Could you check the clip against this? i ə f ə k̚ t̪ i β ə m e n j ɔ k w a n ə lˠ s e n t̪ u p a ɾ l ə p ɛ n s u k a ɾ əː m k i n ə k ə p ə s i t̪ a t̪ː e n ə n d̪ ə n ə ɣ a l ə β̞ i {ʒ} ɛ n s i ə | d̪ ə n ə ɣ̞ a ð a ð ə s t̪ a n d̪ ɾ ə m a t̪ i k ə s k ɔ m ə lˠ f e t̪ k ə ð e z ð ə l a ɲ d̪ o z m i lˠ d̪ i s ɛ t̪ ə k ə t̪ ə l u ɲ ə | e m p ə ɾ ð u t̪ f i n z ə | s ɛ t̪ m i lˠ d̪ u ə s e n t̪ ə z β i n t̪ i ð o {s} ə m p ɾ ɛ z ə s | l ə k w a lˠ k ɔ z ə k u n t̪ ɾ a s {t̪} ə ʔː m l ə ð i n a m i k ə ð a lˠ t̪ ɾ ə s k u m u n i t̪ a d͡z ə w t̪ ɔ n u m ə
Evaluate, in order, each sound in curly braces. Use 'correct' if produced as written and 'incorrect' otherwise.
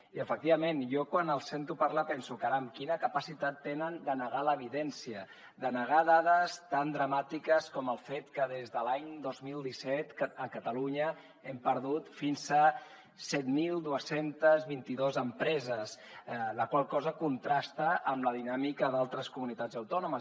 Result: incorrect, incorrect, correct

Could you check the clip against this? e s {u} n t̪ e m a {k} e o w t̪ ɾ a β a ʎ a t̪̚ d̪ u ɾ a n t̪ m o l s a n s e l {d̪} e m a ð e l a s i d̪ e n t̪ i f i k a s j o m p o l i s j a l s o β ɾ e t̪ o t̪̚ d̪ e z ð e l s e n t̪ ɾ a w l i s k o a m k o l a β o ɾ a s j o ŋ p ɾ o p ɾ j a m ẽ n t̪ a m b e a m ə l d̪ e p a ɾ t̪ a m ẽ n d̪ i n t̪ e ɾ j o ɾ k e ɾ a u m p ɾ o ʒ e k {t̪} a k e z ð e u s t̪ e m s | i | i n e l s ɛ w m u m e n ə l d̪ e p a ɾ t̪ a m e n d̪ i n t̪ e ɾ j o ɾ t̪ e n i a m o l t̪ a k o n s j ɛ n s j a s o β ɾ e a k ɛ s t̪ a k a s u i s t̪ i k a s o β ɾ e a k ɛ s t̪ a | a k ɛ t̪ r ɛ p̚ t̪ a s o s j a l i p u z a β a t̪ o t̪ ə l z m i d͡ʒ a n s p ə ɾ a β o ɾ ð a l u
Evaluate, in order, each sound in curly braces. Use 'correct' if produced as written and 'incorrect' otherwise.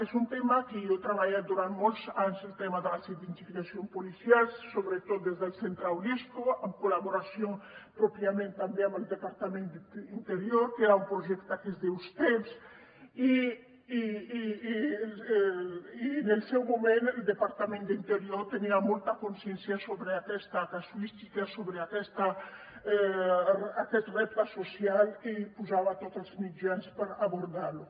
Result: correct, correct, incorrect, correct

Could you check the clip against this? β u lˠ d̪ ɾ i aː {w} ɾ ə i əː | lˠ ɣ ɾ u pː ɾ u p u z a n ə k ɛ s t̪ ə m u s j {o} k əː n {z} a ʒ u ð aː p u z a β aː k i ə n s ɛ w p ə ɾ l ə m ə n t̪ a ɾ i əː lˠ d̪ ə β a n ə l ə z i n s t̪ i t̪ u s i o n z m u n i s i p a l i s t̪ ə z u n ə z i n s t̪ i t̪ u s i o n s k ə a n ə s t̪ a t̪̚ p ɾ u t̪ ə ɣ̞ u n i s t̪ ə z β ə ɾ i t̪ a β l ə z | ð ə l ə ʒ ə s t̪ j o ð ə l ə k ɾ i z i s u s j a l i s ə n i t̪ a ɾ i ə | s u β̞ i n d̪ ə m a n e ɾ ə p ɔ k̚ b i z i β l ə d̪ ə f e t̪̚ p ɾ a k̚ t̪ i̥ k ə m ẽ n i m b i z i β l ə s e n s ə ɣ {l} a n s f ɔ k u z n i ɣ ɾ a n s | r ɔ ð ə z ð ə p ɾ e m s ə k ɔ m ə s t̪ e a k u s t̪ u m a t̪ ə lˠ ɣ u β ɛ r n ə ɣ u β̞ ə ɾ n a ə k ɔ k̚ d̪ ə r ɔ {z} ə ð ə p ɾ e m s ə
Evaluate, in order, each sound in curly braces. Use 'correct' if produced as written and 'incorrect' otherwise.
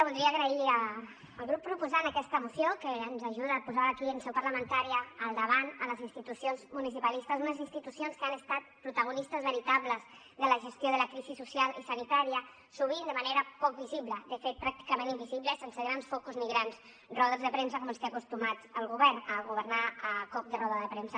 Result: incorrect, correct, correct, incorrect, incorrect

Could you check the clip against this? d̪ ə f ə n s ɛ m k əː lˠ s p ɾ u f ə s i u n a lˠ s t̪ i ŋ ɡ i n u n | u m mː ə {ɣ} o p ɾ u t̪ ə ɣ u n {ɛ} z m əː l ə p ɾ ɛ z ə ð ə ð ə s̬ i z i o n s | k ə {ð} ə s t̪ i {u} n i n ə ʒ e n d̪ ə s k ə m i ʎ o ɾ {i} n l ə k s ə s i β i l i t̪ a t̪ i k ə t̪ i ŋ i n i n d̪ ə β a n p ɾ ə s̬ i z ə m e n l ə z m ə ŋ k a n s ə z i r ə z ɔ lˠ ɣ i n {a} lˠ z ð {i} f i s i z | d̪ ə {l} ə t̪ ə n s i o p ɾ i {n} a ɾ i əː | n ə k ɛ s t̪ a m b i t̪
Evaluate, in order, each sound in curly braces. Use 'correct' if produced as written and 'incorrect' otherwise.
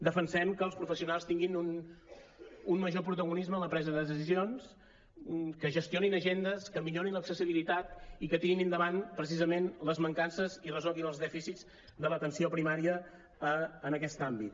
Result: incorrect, incorrect, incorrect, incorrect, correct, incorrect, incorrect, correct, incorrect

